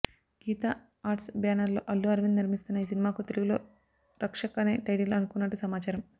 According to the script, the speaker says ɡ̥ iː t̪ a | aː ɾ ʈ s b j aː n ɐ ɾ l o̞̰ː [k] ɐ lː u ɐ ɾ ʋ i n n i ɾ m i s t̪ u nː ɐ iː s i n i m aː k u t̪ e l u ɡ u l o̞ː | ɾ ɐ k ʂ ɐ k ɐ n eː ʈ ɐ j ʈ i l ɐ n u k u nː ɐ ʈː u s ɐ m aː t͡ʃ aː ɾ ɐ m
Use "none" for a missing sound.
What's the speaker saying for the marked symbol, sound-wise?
ʔ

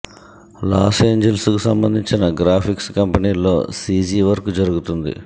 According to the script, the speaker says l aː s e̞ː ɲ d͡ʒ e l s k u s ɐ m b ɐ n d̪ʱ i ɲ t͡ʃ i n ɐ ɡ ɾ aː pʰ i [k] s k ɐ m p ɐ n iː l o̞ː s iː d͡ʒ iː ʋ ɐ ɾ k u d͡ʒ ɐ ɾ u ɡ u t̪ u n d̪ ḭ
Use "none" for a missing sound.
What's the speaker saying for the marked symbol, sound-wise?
k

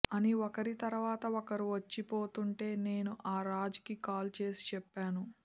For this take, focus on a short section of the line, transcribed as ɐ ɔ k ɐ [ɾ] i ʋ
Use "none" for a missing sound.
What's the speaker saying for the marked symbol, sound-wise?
ɾ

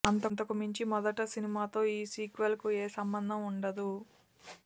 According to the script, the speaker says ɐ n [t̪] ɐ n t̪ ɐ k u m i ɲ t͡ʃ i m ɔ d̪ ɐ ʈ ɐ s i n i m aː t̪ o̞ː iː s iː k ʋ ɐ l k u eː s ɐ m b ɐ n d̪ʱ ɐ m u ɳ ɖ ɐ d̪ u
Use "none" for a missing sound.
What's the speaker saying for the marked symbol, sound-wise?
t̪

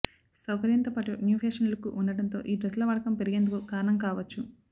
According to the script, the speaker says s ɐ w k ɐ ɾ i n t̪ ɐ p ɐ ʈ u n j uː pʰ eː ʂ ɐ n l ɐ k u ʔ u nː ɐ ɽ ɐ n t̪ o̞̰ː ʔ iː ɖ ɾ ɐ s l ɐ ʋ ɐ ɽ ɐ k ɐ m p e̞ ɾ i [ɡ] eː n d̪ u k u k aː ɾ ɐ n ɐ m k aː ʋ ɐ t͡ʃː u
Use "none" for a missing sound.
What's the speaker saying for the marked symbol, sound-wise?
ɡ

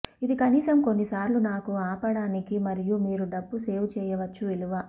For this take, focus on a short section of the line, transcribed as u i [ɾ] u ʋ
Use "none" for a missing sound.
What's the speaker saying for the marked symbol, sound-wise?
l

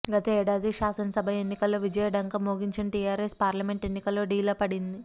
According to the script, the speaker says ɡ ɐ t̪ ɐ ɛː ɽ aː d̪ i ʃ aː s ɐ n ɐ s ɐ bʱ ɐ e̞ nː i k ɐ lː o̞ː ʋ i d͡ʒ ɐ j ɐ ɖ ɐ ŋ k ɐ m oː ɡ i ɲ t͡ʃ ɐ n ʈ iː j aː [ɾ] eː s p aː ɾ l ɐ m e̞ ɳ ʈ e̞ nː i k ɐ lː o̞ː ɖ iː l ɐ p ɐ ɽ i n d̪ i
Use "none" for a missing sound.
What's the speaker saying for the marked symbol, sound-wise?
ɾ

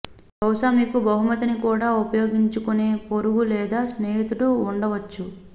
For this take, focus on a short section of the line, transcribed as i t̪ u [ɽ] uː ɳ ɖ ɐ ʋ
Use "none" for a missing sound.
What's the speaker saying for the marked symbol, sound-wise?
ɽ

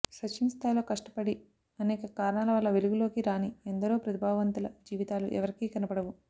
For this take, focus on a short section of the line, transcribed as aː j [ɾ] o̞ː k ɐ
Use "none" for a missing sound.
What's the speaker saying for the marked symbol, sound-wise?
l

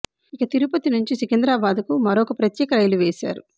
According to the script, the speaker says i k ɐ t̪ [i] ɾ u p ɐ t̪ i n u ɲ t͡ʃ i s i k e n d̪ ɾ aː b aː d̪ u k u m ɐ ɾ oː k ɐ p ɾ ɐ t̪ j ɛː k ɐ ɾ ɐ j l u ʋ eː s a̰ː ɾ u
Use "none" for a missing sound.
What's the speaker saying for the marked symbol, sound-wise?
i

